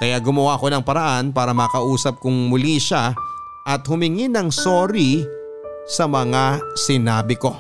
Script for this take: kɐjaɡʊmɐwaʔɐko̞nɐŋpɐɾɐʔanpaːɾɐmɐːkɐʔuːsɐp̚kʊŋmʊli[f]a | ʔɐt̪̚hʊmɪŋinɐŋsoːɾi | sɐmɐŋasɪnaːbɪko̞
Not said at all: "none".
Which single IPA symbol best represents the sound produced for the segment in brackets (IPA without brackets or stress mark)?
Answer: ʃ